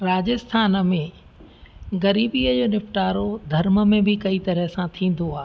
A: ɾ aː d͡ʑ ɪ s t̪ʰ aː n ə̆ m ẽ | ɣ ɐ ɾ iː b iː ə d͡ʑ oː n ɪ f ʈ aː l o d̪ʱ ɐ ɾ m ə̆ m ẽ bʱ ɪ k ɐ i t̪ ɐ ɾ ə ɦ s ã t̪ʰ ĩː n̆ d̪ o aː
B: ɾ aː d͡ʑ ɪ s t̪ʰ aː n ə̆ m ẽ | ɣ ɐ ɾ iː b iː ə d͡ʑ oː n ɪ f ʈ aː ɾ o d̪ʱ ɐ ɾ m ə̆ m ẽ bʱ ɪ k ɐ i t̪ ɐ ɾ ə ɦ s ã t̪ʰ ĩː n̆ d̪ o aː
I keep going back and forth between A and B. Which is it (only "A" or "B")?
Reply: B